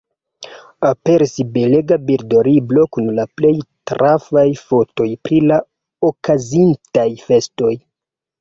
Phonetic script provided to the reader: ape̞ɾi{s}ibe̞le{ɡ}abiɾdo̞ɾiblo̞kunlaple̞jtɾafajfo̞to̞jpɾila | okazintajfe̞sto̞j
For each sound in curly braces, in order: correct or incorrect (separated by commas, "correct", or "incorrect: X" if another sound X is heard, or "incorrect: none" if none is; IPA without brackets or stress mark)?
correct, correct